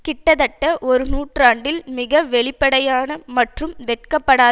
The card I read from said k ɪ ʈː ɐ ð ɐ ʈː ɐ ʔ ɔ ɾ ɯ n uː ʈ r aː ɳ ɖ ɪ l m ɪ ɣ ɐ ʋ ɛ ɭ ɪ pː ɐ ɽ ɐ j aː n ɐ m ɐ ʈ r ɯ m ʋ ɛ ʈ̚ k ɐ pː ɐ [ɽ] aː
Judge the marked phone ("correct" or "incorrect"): correct